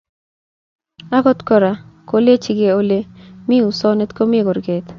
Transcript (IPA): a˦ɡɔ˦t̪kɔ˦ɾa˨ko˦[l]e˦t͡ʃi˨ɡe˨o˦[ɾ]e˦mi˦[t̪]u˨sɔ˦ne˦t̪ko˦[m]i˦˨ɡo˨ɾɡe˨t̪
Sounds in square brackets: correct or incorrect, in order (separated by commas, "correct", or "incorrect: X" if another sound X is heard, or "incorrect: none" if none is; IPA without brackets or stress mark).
correct, incorrect: l, incorrect: none, correct